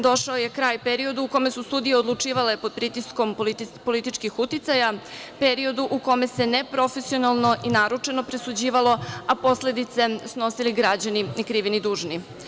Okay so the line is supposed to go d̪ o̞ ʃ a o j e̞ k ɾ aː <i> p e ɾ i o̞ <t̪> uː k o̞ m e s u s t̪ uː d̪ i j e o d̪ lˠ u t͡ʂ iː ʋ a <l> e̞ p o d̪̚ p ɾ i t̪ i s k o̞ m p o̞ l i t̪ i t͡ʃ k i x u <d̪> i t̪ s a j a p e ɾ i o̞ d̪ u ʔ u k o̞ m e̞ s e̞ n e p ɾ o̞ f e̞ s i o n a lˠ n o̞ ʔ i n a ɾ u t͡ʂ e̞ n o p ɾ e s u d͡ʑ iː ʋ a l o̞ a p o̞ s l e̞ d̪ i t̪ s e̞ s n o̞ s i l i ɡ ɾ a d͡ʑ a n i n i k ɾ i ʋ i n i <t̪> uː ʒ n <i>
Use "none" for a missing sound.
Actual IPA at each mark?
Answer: j, d̪, l, t̪, d̪, i

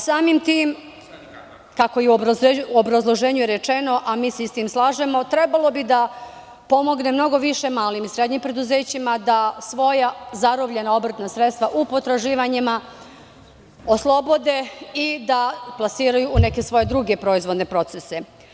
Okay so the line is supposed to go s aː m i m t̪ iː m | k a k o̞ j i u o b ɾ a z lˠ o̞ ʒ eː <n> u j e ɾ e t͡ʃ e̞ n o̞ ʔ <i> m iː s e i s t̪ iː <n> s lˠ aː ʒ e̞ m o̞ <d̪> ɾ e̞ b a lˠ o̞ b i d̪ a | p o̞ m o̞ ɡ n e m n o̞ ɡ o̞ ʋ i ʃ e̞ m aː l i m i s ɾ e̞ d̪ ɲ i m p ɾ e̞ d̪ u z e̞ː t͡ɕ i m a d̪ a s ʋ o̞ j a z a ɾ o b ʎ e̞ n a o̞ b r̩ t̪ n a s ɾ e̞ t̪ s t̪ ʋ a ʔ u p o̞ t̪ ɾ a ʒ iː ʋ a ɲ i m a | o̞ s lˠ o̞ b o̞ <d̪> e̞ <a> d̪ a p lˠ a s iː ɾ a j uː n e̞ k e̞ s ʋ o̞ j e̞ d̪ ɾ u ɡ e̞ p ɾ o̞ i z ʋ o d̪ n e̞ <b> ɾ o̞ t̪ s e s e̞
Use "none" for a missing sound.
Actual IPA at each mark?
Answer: ɲ, a, m, t̪, d̪, i, p

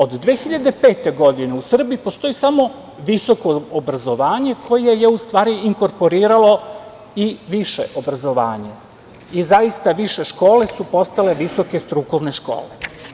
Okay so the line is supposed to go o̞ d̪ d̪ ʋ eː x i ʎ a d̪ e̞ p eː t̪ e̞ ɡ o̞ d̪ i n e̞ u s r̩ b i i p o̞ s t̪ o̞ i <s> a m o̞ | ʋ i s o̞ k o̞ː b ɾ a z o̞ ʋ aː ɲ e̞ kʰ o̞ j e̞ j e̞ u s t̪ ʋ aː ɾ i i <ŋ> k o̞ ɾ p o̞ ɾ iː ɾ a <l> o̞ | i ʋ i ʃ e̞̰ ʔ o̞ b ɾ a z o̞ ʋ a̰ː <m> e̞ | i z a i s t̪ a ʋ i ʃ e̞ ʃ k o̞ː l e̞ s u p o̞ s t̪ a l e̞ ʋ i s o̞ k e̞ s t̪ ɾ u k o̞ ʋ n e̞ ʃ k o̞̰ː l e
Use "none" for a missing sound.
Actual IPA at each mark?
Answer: s, ŋ, l, ɲ

